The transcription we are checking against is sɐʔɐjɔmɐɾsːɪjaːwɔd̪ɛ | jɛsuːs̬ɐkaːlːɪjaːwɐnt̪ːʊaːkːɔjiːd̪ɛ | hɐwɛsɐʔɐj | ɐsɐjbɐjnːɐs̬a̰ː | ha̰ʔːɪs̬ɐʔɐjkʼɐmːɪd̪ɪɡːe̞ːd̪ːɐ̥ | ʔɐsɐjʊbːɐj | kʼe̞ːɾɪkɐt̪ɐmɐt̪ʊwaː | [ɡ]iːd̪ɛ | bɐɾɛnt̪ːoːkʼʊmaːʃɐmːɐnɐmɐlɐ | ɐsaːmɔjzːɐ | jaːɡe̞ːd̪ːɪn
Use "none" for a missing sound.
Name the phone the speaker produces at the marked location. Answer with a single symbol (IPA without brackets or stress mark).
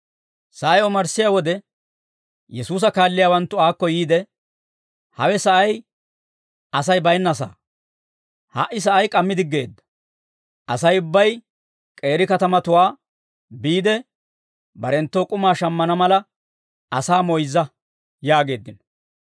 b